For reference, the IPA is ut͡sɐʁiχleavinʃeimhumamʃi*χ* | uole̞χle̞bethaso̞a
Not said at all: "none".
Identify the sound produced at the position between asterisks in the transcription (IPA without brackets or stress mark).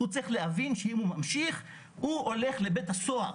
χ